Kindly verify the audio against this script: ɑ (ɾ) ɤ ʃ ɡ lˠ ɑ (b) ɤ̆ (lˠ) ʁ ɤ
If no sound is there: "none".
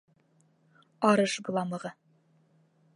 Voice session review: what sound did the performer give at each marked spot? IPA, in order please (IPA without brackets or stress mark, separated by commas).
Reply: ɾ, m, none